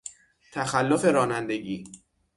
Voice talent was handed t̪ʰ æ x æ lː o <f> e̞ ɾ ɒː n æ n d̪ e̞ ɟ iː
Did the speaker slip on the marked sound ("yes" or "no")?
no